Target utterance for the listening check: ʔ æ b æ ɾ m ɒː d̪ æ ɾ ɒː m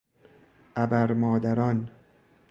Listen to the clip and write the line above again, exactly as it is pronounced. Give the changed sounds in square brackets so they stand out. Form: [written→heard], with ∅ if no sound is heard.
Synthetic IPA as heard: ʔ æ b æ ɾ m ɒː d̪ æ ɾ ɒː [m→n]